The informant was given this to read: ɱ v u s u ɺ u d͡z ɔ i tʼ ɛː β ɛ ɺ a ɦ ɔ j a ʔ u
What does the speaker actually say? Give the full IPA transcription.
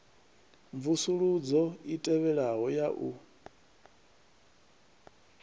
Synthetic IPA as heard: ɱ v u s u ɺ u d͡z ɔ i tʼ ɛ β ɛ ɺ a ɦ ɔ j a ʔ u